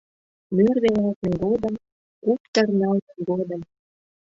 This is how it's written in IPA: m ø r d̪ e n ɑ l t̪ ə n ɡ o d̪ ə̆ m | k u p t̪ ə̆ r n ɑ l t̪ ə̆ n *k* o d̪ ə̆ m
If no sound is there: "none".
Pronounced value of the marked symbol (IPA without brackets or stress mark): ɡ